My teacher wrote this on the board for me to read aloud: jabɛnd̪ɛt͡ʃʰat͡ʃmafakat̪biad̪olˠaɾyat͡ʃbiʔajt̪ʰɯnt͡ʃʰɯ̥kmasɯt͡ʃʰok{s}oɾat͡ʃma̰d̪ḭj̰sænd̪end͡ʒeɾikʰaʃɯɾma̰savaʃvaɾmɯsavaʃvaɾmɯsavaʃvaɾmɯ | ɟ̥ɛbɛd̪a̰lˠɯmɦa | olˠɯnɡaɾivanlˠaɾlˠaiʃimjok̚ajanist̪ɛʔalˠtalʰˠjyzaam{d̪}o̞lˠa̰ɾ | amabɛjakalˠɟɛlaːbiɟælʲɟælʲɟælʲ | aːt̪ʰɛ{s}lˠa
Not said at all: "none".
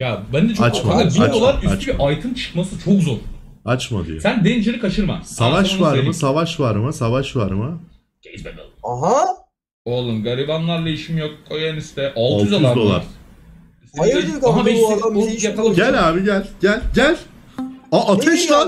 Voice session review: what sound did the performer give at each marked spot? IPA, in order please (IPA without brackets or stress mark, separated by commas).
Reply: z, d̪, ʃ